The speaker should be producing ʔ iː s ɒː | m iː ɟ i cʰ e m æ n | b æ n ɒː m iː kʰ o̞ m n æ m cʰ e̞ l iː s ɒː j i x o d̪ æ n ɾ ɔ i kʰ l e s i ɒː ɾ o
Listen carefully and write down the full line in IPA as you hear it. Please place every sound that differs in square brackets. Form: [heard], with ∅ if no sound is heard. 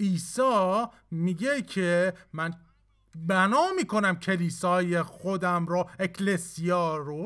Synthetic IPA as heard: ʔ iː s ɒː | m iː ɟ [e] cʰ e m æ n | b æ n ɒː m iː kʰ o̞ [∅] n æ m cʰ e̞ l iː s ɒː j [e] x o d̪ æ [m] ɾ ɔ [e] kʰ l e s i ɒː ɾ o